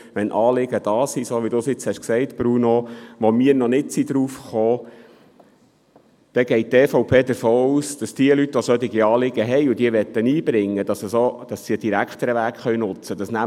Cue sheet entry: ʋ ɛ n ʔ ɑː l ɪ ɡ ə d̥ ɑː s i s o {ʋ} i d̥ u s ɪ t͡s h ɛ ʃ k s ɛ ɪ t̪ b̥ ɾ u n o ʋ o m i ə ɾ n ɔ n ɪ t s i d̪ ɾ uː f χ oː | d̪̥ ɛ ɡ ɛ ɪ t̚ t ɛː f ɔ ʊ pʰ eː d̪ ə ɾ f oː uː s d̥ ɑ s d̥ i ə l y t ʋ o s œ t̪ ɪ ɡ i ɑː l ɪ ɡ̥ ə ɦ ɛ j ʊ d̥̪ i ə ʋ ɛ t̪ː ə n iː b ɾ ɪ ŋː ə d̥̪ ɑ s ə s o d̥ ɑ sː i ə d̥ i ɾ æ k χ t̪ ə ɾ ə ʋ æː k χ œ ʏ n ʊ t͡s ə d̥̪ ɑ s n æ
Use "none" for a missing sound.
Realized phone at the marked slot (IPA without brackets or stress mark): ʋ